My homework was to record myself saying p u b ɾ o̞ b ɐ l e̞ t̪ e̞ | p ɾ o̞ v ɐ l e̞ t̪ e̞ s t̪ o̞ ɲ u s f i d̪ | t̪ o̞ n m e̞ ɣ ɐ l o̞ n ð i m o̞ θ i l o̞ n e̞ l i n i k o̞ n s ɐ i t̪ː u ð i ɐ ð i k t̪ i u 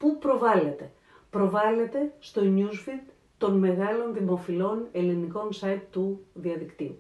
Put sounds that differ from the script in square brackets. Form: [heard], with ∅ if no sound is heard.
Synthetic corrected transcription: p u [p] ɾ o̞ [v] ɐ l e̞ t̪ e̞ | p ɾ o̞ v ɐ l e̞ t̪ e̞ s t̪ o̞ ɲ u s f i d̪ | t̪ o̞ n m e̞ ɣ ɐ l o̞ n ð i m o̞ [f] i l o̞ n e̞ l i n i k o̞ n s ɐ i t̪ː u ð i ɐ ð i k t̪ i u